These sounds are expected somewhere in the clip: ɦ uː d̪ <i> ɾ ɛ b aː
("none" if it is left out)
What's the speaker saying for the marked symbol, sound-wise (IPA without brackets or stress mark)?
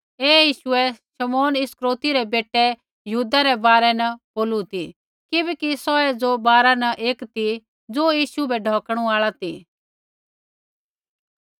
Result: a